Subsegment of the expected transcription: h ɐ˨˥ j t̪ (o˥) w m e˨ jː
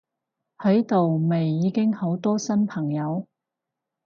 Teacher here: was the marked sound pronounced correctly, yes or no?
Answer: no